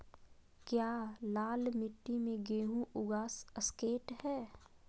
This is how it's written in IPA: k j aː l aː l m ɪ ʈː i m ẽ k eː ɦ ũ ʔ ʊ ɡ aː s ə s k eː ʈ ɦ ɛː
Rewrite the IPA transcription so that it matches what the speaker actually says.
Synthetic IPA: k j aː l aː l m ɪ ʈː i m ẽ ɡ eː ɦ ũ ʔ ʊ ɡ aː s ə s k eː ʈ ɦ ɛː